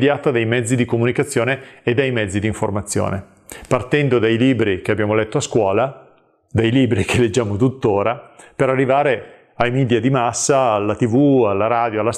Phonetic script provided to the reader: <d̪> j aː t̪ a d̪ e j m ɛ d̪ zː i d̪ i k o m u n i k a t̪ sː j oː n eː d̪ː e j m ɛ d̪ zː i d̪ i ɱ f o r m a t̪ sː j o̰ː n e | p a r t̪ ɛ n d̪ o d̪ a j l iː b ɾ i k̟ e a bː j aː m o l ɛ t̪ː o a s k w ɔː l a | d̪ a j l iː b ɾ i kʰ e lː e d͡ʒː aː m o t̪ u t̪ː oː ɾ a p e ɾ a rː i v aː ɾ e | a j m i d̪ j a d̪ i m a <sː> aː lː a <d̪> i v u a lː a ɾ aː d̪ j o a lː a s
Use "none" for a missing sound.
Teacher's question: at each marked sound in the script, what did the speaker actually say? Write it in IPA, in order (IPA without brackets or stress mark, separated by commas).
d̪, sː, t̪